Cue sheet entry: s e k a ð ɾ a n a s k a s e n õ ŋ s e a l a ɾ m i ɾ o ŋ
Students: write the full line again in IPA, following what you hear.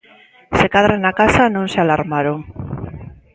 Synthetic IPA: s e k a ð ɾ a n a k a s a n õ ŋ s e a l a ɾ m a ɾ o ŋ